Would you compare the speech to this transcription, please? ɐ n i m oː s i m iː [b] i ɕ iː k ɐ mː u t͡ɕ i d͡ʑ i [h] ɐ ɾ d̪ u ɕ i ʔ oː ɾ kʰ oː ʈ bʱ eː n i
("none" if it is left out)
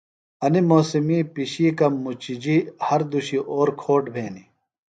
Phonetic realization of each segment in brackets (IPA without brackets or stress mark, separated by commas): p, h